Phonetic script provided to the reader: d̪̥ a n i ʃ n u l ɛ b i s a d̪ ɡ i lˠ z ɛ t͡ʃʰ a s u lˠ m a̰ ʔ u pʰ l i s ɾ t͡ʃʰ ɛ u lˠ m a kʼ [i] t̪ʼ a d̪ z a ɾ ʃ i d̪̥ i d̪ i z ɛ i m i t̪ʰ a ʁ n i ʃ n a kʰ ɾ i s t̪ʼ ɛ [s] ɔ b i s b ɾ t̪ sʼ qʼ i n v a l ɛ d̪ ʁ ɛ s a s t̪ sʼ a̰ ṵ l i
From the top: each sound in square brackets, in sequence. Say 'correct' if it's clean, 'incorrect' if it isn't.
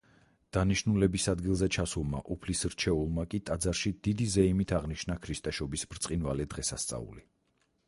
correct, incorrect: ʃ

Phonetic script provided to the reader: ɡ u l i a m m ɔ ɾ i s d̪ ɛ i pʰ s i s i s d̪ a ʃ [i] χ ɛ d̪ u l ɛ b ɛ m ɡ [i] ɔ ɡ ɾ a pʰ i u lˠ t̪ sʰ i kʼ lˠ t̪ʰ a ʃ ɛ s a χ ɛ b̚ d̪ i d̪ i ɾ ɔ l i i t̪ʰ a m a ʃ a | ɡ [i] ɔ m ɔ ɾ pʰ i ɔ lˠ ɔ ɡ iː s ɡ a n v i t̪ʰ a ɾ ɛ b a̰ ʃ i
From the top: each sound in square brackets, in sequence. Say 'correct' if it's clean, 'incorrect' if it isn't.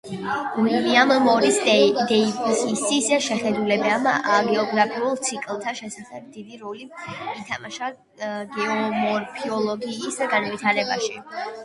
incorrect: ɛ, incorrect: ɛ, incorrect: ɛ

